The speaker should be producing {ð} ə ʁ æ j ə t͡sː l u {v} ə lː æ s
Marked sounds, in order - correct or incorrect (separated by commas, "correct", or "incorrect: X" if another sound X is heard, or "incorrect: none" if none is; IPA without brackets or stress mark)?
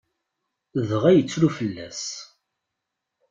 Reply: correct, incorrect: f